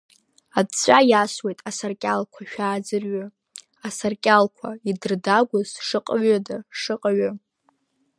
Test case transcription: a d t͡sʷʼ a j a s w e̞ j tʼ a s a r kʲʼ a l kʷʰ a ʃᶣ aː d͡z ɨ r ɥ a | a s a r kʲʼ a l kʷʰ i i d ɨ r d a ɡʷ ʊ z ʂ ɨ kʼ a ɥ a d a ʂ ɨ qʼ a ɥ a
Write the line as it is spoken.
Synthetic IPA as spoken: a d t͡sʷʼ a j a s w e̞ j tʼ a s a r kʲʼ a l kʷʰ a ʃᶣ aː d͡z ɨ r ɥ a | a s a r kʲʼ a l kʷʰ a i d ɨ r d a ɡʷ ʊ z ʂ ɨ qʼ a ɥ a d a ʂ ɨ qʼ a ɥ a